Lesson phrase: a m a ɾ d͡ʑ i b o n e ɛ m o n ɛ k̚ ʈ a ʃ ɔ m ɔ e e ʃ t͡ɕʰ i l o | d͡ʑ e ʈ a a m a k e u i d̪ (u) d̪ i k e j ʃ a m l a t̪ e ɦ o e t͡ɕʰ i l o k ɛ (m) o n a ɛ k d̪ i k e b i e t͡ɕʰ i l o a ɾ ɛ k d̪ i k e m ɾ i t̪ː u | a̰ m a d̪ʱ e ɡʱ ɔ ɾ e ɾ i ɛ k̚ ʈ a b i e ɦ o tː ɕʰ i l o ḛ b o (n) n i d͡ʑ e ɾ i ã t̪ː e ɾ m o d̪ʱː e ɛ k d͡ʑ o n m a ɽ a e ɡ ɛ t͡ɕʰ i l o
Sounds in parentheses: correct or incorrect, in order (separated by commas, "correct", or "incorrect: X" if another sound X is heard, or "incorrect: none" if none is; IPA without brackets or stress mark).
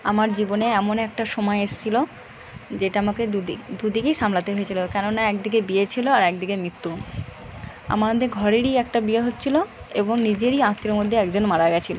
correct, incorrect: n, incorrect: ŋ